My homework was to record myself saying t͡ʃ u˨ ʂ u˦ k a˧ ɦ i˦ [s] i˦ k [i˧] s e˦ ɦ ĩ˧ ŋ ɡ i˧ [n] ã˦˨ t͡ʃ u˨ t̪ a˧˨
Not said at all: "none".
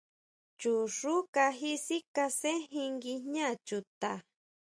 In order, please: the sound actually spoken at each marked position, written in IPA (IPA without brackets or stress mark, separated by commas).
s, a˧, ɲ